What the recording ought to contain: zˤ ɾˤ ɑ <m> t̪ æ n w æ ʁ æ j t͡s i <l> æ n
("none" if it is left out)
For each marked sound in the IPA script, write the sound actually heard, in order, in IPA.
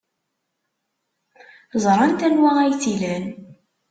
n, l

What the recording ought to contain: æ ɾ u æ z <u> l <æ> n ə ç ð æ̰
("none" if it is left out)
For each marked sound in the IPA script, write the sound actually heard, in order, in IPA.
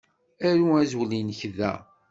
w, i

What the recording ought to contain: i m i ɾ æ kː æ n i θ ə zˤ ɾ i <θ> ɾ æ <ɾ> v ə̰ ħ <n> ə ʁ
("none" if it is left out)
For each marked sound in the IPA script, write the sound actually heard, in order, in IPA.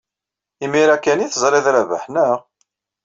ð, none, n

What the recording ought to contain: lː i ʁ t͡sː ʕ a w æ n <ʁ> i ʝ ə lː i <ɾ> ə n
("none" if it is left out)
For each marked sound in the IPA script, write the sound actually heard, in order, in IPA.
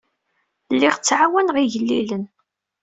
ʁ, l

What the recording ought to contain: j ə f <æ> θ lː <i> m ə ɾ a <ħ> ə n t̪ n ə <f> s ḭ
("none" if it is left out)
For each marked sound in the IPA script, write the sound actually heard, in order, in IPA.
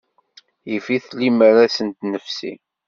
i, i, s, f

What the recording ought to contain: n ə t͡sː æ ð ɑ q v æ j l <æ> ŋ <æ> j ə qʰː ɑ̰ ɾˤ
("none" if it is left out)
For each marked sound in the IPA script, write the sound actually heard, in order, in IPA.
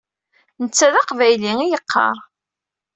i, i

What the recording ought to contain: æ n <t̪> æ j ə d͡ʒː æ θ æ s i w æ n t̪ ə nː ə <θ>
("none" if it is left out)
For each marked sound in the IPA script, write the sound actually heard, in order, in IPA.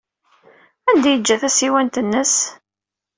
d̪, s

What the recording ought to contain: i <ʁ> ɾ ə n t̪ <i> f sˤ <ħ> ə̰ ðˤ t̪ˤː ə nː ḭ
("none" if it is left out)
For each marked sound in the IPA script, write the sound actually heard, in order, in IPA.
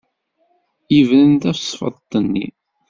v, æ, f

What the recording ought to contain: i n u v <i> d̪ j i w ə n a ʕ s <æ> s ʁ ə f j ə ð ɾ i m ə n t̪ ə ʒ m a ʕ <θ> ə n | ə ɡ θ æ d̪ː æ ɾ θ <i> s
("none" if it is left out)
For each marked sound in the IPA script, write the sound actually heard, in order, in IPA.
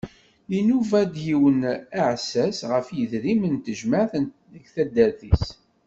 æ, æ, θ, i

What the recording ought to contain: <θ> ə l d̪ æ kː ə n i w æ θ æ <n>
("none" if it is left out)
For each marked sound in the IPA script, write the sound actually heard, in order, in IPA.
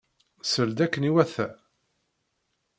s, none

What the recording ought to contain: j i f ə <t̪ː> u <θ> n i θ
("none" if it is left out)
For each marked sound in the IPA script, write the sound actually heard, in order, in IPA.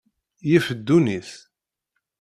d̪ː, none

